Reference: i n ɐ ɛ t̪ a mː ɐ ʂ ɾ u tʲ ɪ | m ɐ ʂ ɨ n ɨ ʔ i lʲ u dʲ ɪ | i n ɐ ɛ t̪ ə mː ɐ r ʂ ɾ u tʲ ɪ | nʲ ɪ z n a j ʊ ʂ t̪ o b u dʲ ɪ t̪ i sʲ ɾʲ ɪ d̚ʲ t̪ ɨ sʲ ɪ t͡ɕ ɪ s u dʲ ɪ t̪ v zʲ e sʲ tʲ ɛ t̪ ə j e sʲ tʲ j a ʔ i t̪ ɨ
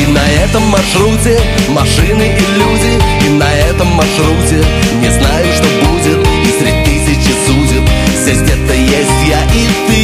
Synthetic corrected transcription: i n ɐ ɛ t̪ ə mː ɐ ʂ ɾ u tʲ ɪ | m ɐ ʂ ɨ n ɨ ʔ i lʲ u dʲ ɪ | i n ɐ ɛ t̪ ə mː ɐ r ʂ ɾ u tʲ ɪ | nʲ ɪ z n a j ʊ ʂ t̪ o b u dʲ ɪ t̪ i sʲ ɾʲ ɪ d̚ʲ t̪ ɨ sʲ ɪ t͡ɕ ɪ s u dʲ ɪ t̪ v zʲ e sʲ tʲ ɛ t̪ ə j e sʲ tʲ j a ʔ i t̪ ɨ